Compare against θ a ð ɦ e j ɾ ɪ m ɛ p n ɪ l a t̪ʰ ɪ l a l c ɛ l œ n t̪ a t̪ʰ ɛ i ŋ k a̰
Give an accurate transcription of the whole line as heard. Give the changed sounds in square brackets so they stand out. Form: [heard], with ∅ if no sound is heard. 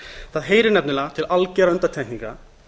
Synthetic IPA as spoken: θ a ð ɦ e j ɾ ɪ [n] ɛ p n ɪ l a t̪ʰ ɪ l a l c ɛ [ɾ] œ n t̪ a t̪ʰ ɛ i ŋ k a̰

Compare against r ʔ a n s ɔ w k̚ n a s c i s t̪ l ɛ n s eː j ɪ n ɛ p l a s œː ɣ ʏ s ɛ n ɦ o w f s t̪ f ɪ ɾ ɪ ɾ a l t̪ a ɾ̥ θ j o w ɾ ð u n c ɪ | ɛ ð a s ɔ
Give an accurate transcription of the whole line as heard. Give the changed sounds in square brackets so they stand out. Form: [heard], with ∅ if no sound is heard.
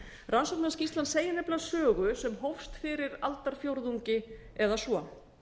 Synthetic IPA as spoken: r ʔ a n s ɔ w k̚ n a s c i s t̪ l [a] n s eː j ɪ n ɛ p l a s œː ɣ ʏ s ɛ [m] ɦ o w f s t̪ f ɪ ɾ ɪ ɾ a l t̪ a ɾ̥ [f] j o w ɾ ð u [ɲ] c ɪ | ɛ ð a s ɔ

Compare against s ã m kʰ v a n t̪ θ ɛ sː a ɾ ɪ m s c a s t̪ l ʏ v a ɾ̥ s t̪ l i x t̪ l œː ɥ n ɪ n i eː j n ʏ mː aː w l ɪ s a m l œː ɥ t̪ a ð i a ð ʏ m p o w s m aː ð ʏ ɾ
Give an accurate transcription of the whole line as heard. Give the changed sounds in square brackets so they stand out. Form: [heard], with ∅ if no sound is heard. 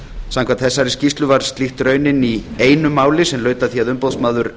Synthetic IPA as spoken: s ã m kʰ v a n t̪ θ ɛ sː a ɾ ɪ [∅] s c [i] s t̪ l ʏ v a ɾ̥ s t̪ l i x t̪ [ɾ] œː ɥ n ɪ n i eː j n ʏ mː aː w l ɪ s [ɛ] m l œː ɥ t̪ a [θ] i a ð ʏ m p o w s m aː ð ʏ ɾ

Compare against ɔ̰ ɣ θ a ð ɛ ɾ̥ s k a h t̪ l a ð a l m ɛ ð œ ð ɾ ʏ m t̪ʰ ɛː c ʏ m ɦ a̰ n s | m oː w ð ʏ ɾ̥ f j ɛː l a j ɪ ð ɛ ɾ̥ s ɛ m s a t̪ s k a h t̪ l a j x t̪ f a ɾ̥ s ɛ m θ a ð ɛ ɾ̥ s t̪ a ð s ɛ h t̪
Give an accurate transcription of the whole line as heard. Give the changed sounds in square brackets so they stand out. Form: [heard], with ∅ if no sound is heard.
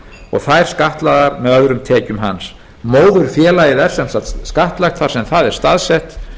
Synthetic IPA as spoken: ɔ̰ ɣ θ a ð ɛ ɾ̥ s k a h t̪ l a ð a [ɾ] m ɛ ð œ ð ɾ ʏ m t̪ʰ ɛː c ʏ m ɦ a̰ n s | m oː w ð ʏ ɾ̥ f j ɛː l a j ɪ ð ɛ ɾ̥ s ɛ m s a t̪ s k a h t̪ l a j x t̪ f a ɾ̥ s ɛ m θ a ð ɛ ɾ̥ s t̪ a ð s ɛ h t̪

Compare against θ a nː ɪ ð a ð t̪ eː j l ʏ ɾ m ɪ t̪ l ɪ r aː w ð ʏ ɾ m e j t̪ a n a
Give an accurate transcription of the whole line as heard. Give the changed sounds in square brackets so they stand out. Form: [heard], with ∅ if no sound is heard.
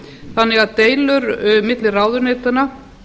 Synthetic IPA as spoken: θ a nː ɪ [ɣ] a ð t̪ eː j l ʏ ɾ m ɪ t̪ l ɪ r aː w ð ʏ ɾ [n] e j t̪ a n a

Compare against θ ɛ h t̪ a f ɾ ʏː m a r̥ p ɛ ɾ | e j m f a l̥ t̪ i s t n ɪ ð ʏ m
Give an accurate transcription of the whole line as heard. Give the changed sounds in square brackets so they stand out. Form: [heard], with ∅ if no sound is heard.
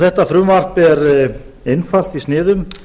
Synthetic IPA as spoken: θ ɛ h t̪ a f ɾ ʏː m a r̥ p ɛ ɾ | e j [n] f a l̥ t̪ i s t n [ɪː] ð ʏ m

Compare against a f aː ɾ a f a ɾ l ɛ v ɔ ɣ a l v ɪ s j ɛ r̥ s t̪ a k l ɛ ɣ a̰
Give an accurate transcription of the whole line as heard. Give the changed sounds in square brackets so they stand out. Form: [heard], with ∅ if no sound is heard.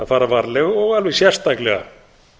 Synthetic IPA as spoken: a f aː ɾ a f a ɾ l ɛ [ɣ] ɔ ɣ a l v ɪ s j ɛ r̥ s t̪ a k l ɛ ɣ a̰

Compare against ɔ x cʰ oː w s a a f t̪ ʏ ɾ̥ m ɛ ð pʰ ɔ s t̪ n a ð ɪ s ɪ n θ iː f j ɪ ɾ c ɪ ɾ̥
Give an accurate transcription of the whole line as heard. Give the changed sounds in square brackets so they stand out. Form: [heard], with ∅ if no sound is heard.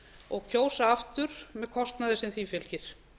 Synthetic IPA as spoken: ɔ [ɣ] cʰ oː w s a a f t̪ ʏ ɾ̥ m ɛ ð [kʰ] ɔ s t̪ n a ð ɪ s ɪ n θ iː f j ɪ [l] c ɪ ɾ̥

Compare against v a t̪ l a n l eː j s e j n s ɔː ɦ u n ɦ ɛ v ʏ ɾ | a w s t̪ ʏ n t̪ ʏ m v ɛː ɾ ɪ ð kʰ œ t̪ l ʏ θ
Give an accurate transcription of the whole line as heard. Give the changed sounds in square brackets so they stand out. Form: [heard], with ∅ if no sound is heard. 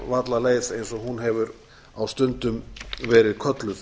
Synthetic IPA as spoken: v a t̪ l a [∅] l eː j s e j n s [ɔ] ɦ u n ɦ ɛ v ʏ ɾ | a w s t̪ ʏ n t̪ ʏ m v ɛː ɾ ɪ ð kʰ œ t̪ l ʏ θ

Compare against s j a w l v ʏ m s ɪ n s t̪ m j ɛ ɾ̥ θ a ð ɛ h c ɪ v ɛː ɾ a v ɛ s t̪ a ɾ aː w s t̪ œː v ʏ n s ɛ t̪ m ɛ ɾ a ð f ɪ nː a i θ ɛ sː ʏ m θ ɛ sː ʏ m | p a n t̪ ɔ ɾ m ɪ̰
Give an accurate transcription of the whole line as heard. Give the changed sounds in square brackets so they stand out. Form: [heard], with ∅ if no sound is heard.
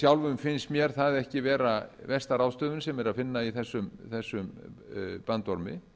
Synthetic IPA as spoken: s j a w l v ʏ m [f] ɪ n s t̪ m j ɛ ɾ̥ θ a ð ɛ h c ɪ v ɛː ɾ a v ɛ s t̪ a ɾ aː w s t̪ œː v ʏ n s ɛ [∅] m ɛ ɾ a ð f ɪ nː a i θ ɛ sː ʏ m θ ɛ sː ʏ m | p a n t̪ ɔ ɾ m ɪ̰

